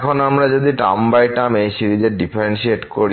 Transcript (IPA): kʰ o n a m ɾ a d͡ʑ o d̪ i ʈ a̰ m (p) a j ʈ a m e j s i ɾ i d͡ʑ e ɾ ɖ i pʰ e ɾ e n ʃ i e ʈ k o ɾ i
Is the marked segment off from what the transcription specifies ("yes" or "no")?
yes